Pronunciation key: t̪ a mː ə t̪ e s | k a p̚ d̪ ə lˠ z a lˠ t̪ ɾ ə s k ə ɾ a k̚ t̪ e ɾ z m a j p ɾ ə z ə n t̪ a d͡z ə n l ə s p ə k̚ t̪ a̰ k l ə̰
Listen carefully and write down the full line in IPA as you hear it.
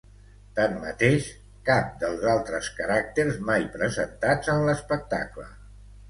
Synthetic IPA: t̪ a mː ə t̪ e ʃ | k a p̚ d̪ ə lˠ z a lˠ t̪ ɾ ə s k ə ɾ a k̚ t̪ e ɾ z m a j p ɾ ə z ə n t̪ a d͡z ə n l ə s p ə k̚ t̪ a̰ k l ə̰